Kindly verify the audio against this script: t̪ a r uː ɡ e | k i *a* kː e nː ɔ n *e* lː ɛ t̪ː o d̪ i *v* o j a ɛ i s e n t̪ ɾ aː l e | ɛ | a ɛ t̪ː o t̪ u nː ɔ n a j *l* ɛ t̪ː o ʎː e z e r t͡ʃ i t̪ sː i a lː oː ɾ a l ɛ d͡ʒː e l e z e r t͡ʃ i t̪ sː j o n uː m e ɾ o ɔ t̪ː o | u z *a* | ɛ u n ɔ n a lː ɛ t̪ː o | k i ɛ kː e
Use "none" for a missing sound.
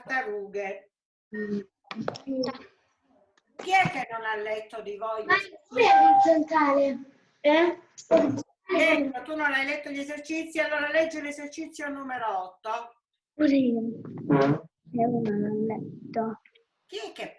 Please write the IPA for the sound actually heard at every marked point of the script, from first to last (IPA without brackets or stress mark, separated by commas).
ɛ, a, v, l, i